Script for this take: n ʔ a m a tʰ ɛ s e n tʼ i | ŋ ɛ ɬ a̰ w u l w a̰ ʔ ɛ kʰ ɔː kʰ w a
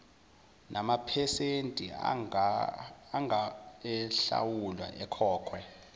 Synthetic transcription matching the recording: n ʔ a m a pʰ ɛ s e n tʼ i | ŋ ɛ ɬ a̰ w u l w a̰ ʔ ɛ kʰ ɔː kʰ w ɛ